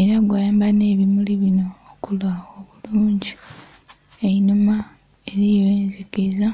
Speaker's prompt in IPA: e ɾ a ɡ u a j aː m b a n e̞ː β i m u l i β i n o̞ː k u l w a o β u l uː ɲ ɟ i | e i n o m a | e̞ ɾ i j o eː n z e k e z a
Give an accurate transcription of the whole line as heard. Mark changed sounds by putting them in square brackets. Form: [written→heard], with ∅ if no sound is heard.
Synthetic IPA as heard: e ɾ a ɡ [u→w] a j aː m b a n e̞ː β i m u l i β i n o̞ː k u l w a o β u l uː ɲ ɟ i | e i n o m a | e̞ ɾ i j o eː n z e k e z a